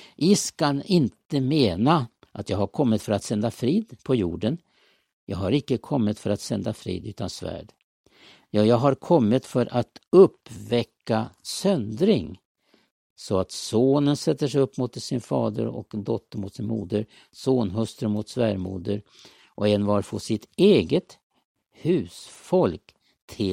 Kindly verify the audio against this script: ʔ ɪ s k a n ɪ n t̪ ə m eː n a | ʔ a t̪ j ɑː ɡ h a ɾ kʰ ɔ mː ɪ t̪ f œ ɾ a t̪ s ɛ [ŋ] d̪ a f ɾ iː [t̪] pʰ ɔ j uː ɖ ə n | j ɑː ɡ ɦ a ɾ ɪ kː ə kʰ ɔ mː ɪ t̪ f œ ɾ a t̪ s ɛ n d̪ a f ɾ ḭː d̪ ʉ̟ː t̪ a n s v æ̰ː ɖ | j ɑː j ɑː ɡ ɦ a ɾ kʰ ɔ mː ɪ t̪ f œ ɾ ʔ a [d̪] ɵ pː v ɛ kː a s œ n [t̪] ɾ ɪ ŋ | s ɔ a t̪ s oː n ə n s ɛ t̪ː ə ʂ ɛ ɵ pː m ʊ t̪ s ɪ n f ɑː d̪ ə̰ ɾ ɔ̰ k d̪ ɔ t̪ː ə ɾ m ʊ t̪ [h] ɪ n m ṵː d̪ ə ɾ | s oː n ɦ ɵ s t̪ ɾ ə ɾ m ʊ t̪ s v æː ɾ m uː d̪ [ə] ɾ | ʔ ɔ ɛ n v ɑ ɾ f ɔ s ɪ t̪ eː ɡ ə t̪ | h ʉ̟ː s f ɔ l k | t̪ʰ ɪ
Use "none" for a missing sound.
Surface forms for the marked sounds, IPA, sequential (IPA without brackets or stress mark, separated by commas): n, d̪, t̪, d̪, s, ə